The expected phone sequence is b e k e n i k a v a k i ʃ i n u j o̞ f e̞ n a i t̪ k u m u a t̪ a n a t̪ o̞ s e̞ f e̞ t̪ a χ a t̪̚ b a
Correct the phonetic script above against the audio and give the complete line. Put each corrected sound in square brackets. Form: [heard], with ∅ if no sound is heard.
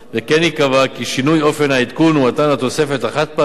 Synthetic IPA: [v] e k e n i k a v a k i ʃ i n u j o̞ f e̞ n a i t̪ k u [n] u a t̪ a n a t̪ o̞ s e̞ f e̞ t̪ a χ a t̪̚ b a